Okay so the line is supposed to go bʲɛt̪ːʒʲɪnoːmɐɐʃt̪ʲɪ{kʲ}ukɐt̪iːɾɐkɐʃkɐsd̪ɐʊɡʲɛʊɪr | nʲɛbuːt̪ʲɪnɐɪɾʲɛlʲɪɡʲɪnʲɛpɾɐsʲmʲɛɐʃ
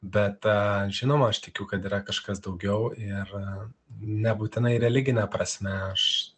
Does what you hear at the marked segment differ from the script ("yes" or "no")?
no